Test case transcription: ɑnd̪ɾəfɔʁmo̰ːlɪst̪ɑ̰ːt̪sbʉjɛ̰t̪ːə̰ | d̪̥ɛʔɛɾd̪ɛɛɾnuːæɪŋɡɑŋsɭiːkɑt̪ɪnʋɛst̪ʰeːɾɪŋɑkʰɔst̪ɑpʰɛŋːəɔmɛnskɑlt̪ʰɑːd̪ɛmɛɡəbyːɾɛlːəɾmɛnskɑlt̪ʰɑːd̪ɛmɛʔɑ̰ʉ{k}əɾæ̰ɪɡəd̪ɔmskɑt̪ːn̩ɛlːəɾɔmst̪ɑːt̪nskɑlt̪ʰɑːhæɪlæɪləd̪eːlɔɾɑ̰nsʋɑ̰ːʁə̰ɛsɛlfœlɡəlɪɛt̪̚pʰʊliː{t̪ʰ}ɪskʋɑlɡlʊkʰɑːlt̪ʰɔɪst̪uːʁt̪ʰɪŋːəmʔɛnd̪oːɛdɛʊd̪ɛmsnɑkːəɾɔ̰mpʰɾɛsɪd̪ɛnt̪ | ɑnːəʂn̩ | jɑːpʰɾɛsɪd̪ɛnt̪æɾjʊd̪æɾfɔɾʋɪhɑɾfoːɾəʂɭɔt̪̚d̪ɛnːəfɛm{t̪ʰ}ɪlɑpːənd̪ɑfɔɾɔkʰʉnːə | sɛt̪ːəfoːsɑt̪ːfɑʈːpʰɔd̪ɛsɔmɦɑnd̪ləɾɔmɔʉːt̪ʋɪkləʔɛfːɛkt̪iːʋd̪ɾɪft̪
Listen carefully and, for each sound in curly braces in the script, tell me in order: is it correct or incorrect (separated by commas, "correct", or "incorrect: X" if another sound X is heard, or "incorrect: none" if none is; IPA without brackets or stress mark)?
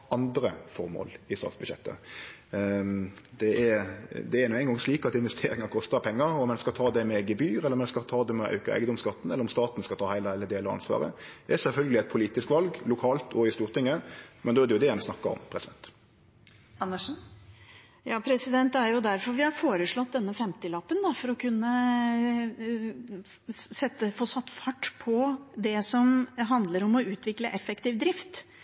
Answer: correct, incorrect: t̪, incorrect: t̪